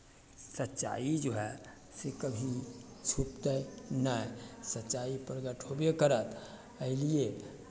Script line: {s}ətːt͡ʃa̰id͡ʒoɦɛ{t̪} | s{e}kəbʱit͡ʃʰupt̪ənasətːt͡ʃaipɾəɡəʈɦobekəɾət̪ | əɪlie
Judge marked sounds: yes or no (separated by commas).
yes, no, yes